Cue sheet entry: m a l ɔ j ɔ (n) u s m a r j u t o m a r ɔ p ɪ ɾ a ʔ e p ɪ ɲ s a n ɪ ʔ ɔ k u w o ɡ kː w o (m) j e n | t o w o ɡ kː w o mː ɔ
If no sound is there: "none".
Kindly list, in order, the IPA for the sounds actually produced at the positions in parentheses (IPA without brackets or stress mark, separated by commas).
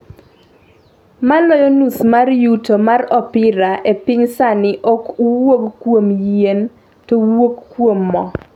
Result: n, m